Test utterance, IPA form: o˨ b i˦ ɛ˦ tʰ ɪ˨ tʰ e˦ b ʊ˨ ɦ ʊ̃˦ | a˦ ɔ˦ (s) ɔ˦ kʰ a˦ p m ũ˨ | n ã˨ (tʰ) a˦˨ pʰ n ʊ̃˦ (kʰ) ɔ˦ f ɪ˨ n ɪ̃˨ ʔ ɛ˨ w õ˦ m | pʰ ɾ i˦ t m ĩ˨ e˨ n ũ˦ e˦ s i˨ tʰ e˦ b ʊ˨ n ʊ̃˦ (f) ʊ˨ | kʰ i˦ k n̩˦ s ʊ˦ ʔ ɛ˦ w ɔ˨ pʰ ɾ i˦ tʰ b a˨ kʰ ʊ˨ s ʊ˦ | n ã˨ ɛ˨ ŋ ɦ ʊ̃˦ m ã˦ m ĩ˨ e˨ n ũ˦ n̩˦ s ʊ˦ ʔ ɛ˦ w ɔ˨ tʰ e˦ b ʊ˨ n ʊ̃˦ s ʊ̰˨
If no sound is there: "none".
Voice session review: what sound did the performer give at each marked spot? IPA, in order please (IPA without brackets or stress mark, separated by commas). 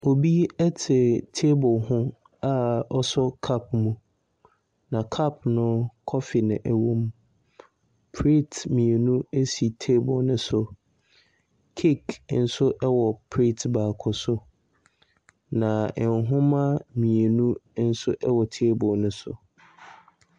s, kʰ, kʰ, s